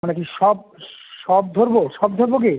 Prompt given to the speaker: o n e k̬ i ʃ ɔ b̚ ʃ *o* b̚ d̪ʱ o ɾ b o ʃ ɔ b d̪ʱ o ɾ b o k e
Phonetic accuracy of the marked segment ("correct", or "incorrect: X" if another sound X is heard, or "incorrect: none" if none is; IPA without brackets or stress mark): incorrect: ɔ